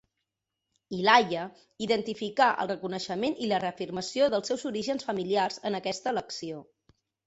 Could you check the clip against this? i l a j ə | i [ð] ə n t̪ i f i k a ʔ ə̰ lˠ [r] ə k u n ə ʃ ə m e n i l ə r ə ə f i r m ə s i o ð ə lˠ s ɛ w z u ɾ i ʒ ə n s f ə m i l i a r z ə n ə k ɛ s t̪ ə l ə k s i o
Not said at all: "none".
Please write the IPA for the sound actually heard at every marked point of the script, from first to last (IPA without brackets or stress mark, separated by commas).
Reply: ð, r